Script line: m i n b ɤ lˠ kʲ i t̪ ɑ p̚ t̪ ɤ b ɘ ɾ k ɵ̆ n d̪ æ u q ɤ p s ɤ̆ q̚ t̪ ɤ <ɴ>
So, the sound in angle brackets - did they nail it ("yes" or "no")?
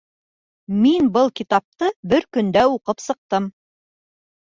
no